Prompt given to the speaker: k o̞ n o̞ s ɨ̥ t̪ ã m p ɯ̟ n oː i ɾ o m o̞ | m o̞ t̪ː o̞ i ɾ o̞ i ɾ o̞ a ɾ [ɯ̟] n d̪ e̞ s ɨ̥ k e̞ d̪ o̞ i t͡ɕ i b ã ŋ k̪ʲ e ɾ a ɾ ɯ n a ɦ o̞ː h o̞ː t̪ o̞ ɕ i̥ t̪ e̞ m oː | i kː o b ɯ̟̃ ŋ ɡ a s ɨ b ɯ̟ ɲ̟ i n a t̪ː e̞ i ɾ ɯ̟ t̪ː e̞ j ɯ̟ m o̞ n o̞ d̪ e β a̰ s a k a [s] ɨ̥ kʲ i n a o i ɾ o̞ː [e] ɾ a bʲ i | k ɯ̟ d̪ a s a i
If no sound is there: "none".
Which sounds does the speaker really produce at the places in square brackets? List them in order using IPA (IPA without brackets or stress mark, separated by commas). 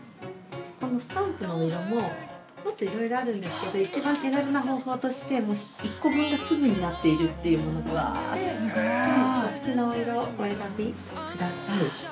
ɯ̟̃, s, e